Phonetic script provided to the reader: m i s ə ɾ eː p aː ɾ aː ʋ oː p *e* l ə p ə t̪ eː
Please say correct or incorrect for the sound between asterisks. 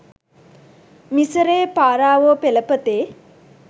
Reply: correct